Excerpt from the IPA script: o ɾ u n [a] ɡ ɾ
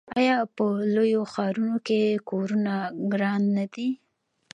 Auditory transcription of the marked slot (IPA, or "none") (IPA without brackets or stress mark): a